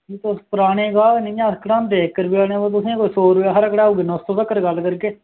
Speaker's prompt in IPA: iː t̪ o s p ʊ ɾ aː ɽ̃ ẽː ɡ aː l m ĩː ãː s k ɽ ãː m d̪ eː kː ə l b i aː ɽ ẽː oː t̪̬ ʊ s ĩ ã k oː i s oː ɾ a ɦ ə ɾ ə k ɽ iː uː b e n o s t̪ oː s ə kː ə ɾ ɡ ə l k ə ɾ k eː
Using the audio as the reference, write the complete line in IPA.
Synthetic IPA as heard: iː t̪ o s p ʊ ɾ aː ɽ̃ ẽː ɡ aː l n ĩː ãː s k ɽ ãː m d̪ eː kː ə ɾ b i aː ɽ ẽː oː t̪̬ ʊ s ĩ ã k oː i s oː ɾ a ɦ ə ɾ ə k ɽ aː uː ɡ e n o s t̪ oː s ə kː ə ɾ ɡ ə l k ə ɾ k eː